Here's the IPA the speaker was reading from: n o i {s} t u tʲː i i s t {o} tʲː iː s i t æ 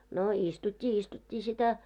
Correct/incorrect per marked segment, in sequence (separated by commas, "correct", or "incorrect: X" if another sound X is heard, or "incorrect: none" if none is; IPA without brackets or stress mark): correct, incorrect: u